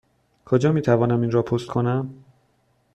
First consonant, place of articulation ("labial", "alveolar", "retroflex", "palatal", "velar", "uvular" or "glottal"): velar